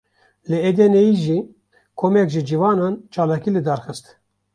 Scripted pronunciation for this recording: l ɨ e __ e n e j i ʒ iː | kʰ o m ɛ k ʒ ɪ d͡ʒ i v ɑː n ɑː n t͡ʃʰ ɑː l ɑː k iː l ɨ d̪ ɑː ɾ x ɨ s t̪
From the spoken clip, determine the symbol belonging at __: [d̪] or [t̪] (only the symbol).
d̪